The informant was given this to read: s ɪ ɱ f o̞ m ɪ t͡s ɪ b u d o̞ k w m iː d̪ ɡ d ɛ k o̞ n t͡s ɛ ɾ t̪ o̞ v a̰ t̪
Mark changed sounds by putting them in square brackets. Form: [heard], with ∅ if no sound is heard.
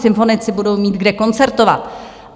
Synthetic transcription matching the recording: s ɪ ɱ f o̞ [n] ɪ t͡s ɪ b u d o̞ [∅] w m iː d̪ ɡ d ɛ k o̞ n t͡s ɛ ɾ t̪ o̞ v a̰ t̪

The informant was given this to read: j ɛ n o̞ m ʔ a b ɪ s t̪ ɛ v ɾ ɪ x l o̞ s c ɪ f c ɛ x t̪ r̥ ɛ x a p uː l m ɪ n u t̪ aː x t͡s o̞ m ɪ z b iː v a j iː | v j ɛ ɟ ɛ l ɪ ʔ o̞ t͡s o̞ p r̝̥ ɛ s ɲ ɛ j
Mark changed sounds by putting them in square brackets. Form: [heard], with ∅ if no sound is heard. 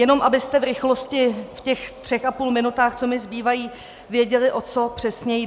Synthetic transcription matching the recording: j ɛ n o̞ m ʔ a b ɪ s t̪ ɛ v ɾ ɪ x l o̞ s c ɪ f c ɛ x t̪ r̥ ɛ x a p uː l m ɪ n u t̪ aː x t͡s o̞ m ɪ z b iː v a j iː | v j ɛ ɟ ɛ l ɪ ʔ o̞ t͡s o̞ p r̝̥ ɛ s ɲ ɛ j

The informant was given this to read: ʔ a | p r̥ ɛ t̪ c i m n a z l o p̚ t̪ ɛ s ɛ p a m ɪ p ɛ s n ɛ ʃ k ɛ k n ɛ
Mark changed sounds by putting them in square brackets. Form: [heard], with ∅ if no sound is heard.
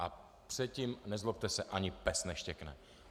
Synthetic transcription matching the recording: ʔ a | p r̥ ɛ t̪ c i m n [ɛ] z l o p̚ t̪ ɛ s ɛ [ʔ] a [ɲ] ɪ p ɛ s n ɛ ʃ [c] ɛ k n ɛ

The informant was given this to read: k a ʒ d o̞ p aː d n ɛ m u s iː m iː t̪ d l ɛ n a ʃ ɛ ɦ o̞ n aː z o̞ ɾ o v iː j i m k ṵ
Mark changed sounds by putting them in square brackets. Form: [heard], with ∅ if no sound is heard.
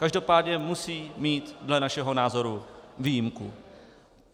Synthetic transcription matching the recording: k a ʒ d o̞ p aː d [ɲ] ɛ m u s iː m iː t̪ d l ɛ n a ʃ ɛ ɦ o̞ n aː z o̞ ɾ [u] v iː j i m k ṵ

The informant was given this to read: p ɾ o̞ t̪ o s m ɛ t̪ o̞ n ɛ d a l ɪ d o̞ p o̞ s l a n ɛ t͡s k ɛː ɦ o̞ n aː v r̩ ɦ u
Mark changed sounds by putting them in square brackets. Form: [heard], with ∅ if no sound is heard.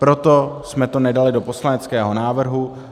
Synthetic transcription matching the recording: p ɾ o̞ t̪ o s m ɛ t̪ o̞ n ɛ d a l ɪ d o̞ p o̞ s l a n ɛ t͡s k ɛː ɦ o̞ n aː v r̩ ɦ u

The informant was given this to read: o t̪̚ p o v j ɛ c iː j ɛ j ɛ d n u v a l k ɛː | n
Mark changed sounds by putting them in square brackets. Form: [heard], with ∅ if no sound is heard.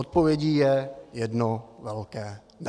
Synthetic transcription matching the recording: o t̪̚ p o v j ɛ [ɟ] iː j ɛ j ɛ d n [o] v [ɛ] l k ɛː | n

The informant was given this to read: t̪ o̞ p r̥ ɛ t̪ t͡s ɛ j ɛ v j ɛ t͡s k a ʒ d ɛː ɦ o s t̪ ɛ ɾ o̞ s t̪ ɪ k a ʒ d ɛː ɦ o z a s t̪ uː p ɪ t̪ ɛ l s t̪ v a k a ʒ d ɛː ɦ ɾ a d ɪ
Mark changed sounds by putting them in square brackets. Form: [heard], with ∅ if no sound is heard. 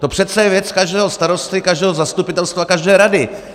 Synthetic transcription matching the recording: t̪ o̞ p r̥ ɛ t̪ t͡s ɛ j ɛ v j ɛ t͡s k a ʒ d ɛː ɦ o s t̪ [a] ɾ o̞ s t̪ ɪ k a ʒ d ɛː ɦ o z a s t̪ [u] p ɪ t̪ ɛ l s t̪ v a k a ʒ d ɛː [∅] ɾ a d ɪ

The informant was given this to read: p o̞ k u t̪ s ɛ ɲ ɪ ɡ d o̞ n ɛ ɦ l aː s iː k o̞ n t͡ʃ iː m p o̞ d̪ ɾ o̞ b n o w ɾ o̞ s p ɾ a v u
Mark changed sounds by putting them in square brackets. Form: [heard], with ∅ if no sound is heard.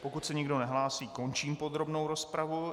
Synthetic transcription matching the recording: p o̞ k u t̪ s ɛ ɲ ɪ ɡ d o̞ n ɛ ɦ l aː s iː k o̞ n t͡ʃ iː m p o̞ d̪ ɾ o̞ b n o w ɾ o̞ s p ɾ a v u

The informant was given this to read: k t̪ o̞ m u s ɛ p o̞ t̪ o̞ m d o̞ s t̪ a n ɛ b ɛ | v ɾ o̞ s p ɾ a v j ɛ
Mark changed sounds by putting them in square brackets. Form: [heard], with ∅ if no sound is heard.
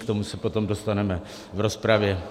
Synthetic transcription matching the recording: k t̪ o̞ m u s ɛ p o̞ t̪ o̞ m d o̞ s t̪ a n ɛ [m] ɛ | v ɾ o̞ s p ɾ a v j ɛ

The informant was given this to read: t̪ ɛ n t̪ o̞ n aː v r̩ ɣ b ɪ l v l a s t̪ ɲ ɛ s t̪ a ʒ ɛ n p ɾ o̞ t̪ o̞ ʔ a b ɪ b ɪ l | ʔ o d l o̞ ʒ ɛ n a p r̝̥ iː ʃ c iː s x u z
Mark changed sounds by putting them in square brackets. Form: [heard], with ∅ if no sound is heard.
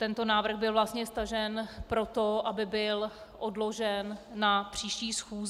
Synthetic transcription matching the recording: t̪ ɛ n t̪ o̞ n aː v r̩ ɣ b ɪ l v l a s t̪ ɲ ɛ s t̪ a ʒ ɛ n p ɾ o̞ t̪ o̞ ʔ a b ɪ b ɪ l | ʔ o d l o̞ ʒ ɛ [nː] a p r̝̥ iː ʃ c iː s x [uː] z

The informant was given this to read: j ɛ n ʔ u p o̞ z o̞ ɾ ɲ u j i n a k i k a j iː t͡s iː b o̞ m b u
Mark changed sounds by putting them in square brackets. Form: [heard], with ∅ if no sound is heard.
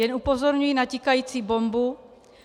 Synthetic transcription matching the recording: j ɛ n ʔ u p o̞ z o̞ ɾ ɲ u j i n a [c] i k a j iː t͡s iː b o̞ m b u

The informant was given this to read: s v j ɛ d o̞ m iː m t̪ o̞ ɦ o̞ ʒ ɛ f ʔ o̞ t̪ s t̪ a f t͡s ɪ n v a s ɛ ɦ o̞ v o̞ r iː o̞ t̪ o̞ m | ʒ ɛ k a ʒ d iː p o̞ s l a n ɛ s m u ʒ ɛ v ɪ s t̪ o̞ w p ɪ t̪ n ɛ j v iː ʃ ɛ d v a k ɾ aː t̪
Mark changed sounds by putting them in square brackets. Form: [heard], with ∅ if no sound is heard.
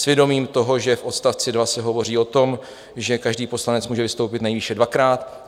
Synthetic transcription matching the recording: s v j ɛ d o̞ m iː m t̪ o̞ ɦ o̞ ʒ ɛ f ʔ o̞ t̪ s t̪ a f t͡s ɪ [d] v a s ɛ ɦ o̞ v o̞ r iː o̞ t̪ o̞ m | ʒ ɛ k a ʒ d iː p o̞ s l a n ɛ [t͡s] m [uː] ʒ ɛ v ɪ s t̪ o̞ w p ɪ t̪ n ɛ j v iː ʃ ɛ d v a k ɾ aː t̪

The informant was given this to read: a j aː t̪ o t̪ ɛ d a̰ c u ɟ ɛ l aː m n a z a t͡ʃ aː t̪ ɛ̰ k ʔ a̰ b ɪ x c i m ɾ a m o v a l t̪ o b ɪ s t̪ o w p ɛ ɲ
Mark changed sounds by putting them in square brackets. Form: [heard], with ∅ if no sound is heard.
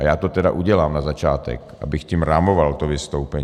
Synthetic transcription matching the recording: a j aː t̪ o t̪ ɛ d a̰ [ʔ] u ɟ ɛ l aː m n a z a t͡ʃ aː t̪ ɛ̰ k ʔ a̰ b ɪ x c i m ɾ a m o v a l t̪ o [v] ɪ s t̪ o w p ɛ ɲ

